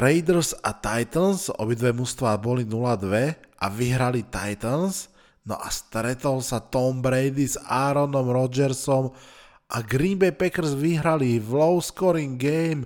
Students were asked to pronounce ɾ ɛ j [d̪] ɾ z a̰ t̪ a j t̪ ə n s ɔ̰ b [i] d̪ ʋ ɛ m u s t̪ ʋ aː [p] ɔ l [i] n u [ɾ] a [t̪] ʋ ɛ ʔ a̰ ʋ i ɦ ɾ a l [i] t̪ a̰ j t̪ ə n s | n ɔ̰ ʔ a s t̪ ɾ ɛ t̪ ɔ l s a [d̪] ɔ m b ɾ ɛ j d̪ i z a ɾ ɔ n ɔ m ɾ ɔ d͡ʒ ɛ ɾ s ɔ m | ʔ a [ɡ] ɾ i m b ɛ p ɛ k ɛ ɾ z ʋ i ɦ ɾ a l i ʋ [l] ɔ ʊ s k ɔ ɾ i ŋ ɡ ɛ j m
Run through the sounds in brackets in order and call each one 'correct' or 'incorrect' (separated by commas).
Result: correct, correct, incorrect, correct, incorrect, incorrect, correct, incorrect, correct, correct